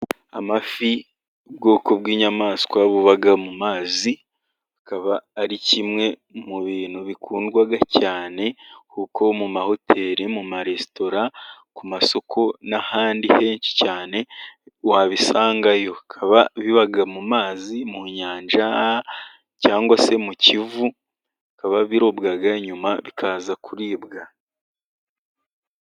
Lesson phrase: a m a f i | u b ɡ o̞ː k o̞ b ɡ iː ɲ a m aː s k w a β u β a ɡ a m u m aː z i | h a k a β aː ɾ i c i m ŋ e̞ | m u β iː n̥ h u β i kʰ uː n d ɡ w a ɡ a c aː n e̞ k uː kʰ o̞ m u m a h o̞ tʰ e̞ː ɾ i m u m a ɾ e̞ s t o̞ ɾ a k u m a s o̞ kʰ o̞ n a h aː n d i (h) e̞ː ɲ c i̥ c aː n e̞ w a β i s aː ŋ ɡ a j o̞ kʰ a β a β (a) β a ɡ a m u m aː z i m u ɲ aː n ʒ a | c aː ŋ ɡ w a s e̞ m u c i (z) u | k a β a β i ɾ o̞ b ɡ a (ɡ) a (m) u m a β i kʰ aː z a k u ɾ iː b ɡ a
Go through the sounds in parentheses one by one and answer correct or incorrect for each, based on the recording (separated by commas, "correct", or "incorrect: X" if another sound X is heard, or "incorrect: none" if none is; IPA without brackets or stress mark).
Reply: correct, incorrect: i, incorrect: v, correct, incorrect: ɲ